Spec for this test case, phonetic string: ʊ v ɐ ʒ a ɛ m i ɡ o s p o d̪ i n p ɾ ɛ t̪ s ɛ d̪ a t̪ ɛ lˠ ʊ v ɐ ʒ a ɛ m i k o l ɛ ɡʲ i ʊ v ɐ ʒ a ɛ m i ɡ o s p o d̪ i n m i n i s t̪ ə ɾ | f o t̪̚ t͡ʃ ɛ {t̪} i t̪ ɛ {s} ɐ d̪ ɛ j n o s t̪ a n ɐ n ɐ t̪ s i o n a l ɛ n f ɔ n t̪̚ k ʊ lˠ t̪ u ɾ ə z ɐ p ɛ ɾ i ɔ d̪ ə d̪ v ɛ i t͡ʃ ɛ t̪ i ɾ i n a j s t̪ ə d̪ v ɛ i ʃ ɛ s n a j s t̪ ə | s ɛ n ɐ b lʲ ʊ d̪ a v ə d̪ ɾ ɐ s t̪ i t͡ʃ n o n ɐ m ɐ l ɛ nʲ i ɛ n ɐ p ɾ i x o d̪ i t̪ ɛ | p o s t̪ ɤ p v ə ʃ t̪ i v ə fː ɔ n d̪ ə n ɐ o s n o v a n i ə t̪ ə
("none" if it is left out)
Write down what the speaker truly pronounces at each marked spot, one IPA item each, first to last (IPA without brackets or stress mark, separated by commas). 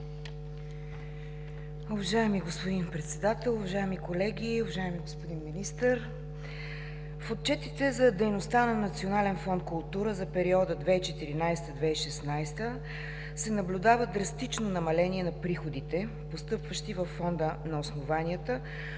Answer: t̪, z